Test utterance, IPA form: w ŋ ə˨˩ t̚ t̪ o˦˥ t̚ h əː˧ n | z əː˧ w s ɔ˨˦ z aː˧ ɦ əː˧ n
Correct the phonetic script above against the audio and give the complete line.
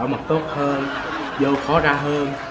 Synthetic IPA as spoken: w m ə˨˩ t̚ t̪ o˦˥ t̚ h əː˧ n | z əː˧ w x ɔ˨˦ z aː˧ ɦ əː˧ n